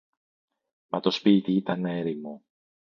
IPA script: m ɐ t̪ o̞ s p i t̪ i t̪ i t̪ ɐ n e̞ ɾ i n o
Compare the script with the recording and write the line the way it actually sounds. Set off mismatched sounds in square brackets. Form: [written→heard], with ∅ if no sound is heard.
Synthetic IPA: m ɐ t̪ o̞ s p i t̪ i [t̪→∅] i t̪ ɐ n e̞ ɾ i [n→m] o

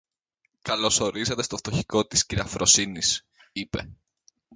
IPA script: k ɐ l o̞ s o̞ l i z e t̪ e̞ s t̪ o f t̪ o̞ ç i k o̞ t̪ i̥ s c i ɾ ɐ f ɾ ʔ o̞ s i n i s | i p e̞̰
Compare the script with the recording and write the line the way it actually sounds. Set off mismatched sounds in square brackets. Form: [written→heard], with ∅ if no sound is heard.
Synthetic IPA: k ɐ l o̞ s o̞ [l→ɾ] i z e t̪ e̞ s t̪ o f t̪ o̞ ç i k o̞ t̪ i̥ s c i ɾ ɐ f ɾ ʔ o̞ s i n i s | i p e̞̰

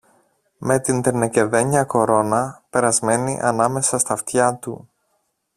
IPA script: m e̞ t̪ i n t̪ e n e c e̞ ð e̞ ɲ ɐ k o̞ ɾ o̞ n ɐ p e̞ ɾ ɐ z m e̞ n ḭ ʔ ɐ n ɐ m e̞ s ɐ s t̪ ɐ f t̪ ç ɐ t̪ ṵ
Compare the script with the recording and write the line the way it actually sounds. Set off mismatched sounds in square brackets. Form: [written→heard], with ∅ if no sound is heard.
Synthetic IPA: m e̞ t̪ i n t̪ e n e c e̞ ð e̞ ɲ ɐ k o̞ ɾ o̞ n ɐ p e̞ ɾ ɐ z m e̞ n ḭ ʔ ɐ n ɐ m e̞ s ɐ s t̪ ɐ f t̪ ç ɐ t̪ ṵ

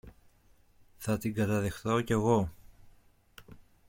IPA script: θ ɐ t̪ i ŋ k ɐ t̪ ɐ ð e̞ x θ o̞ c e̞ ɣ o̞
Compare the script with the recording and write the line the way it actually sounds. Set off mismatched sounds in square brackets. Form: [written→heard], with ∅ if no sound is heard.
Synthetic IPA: θ ɐ t̪ i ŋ [k→ɡ] ɐ t̪ ɐ ð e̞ x θ o̞ c e̞ ɣ o̞

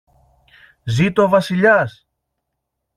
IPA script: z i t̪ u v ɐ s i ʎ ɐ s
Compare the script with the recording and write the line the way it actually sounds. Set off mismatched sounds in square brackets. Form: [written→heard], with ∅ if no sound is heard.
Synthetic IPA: z i t̪ [u→o] v ɐ s i ʎ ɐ s

